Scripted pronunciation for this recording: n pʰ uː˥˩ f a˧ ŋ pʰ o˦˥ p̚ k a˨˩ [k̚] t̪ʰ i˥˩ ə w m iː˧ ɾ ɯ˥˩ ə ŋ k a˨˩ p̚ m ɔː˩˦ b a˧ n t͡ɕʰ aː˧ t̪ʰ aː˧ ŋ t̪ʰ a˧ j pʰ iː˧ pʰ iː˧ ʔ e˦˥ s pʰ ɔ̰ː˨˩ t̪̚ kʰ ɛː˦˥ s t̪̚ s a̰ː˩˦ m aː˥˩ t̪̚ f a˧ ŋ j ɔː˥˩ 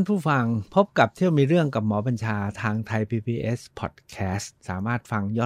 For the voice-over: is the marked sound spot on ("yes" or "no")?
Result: no